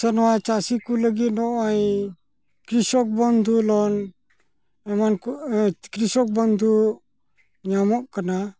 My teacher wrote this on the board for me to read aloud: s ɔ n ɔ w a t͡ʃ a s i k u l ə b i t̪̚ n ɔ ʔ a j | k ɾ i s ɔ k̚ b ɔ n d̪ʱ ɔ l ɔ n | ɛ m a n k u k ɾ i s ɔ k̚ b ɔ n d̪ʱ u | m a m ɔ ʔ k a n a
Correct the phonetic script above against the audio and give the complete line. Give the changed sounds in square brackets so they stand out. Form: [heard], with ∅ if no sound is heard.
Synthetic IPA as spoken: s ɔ n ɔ w a t͡ʃ a s i k u l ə [ɡ] i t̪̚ n ɔ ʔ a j | k ɾ i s ɔ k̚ b ɔ n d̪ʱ [u] l ɔ n | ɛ m a n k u k ɾ i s ɔ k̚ b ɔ n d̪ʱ u | [ɲ] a m ɔ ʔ k a n a